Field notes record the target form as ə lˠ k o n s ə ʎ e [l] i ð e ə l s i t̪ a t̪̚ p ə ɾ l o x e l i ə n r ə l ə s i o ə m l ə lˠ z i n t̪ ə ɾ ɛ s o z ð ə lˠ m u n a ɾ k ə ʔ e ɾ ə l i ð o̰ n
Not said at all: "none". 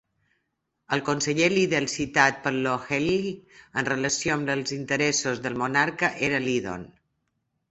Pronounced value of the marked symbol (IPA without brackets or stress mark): l